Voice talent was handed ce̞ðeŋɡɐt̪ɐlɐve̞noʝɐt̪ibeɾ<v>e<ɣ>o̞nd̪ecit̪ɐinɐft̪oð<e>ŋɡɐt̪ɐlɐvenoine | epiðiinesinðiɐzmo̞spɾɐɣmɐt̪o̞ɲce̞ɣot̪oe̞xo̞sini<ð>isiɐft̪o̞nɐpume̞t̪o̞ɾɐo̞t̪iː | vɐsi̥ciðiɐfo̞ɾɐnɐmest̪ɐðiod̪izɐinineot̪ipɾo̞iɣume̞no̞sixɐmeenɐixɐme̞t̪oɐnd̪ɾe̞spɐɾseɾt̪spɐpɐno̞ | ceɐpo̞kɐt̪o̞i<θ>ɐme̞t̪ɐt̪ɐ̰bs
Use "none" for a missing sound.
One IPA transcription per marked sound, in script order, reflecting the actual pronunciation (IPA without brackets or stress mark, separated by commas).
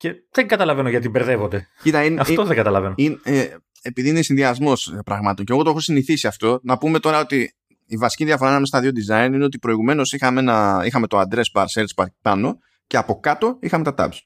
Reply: ð, v, e, θ, x